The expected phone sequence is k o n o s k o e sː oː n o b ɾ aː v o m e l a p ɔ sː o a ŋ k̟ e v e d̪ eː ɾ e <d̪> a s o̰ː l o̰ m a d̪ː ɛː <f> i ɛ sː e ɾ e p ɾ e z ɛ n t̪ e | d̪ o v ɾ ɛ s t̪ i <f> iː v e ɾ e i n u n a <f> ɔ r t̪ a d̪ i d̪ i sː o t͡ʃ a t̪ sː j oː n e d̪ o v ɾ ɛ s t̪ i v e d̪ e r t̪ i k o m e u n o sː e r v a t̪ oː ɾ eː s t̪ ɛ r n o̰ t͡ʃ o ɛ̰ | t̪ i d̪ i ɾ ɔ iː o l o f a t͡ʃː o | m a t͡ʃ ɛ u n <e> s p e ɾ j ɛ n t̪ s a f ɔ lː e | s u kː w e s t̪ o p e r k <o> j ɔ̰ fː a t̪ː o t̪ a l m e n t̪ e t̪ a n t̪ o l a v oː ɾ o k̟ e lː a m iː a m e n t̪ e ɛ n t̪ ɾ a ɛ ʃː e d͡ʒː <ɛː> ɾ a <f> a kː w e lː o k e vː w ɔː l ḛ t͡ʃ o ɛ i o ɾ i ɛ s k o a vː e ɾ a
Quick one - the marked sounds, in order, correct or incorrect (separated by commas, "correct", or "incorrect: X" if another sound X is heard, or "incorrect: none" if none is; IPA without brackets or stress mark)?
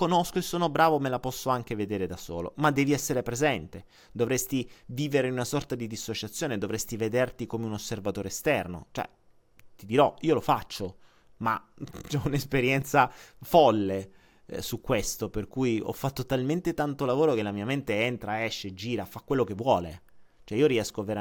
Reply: correct, incorrect: v, incorrect: v, incorrect: s, correct, incorrect: u, incorrect: iː, correct